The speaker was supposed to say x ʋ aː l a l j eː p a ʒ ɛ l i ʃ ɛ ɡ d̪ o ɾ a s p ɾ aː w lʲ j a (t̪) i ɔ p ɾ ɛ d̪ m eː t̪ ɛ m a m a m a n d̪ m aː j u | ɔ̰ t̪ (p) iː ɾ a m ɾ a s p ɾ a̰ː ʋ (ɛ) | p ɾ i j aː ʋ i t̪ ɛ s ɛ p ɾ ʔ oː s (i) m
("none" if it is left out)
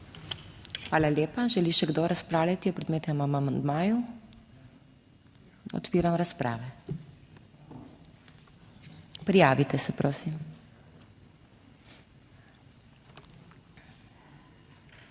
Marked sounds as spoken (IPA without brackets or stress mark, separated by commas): t̪, p, ɛ, i